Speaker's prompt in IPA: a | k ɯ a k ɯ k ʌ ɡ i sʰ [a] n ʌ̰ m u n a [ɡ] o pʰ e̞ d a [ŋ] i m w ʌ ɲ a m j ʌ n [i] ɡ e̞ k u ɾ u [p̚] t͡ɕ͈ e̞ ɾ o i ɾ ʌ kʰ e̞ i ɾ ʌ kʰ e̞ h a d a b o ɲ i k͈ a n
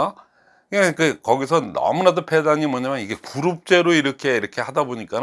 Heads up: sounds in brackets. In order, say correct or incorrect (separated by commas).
incorrect, incorrect, incorrect, correct, correct